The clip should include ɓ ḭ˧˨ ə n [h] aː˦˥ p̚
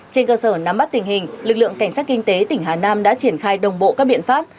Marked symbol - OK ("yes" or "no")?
no